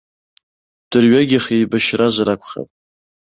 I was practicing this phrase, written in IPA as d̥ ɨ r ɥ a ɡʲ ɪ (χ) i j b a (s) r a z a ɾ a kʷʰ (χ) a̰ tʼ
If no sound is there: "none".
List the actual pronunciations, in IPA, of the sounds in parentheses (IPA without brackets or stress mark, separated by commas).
χ, ʃ, χ